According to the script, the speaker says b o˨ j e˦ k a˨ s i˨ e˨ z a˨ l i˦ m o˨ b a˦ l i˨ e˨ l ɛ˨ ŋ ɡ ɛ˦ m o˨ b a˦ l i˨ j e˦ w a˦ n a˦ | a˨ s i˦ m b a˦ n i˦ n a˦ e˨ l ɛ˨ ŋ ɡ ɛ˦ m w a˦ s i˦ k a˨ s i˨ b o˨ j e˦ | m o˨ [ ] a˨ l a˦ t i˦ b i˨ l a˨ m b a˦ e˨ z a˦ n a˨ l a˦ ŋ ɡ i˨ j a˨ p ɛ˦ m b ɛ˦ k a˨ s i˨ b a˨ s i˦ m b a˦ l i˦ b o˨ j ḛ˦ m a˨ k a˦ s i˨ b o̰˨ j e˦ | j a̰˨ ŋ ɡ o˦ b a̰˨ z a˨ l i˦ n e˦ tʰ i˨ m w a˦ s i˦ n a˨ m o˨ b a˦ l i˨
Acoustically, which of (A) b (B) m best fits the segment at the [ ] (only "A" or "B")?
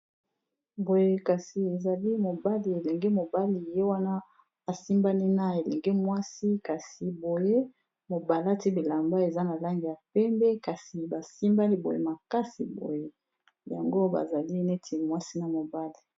A